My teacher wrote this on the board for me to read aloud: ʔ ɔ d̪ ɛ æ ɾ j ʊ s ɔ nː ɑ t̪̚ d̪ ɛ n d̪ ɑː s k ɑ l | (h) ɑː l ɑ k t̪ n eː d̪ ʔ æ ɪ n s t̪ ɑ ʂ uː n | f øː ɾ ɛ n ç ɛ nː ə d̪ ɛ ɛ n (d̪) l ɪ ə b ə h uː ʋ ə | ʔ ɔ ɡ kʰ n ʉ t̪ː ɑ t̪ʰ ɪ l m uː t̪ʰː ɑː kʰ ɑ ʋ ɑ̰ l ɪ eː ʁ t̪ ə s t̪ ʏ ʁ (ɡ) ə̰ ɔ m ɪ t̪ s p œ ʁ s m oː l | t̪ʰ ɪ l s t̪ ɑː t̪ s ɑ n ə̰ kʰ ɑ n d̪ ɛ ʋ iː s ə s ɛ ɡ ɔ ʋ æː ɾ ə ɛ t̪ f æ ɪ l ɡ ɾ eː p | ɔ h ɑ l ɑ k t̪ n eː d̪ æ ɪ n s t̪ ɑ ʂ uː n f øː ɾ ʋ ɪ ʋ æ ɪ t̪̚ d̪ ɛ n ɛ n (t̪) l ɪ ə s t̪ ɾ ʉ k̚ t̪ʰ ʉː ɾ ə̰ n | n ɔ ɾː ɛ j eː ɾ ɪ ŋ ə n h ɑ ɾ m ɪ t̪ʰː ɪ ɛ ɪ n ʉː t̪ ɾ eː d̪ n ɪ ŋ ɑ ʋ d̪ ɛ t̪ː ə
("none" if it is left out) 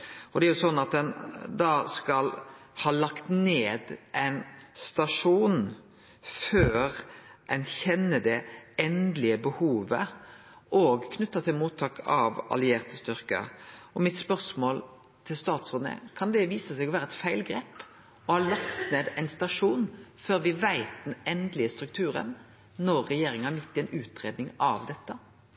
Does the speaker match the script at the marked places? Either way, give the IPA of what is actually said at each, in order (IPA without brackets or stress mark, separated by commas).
h, d̪, k, d̪